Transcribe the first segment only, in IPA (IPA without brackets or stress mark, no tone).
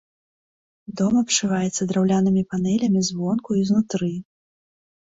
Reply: d̪